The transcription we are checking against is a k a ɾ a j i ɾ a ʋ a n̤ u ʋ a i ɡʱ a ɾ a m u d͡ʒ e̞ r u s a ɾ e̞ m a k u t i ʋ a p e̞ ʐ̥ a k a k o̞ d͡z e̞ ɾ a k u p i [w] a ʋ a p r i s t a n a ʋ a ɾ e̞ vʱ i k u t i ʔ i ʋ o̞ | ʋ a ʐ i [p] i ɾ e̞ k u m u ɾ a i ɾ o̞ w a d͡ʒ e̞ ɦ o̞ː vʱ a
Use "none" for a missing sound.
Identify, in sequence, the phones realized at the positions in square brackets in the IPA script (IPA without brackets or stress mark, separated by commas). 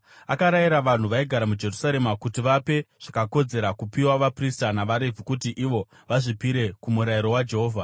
w, p